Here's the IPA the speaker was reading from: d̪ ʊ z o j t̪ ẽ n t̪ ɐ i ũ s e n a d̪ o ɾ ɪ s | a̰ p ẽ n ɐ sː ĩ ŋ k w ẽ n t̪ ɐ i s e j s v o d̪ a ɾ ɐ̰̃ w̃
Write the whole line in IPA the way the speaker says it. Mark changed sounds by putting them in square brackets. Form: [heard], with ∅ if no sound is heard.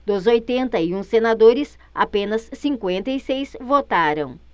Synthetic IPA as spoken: d̪ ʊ z o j t̪ ẽ n t̪ ɐ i ũ s e n a d̪ o ɾ ɪ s | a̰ p ẽ n ɐ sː ĩ ŋ k w ẽ n t̪ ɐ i s e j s v o [t̪] a ɾ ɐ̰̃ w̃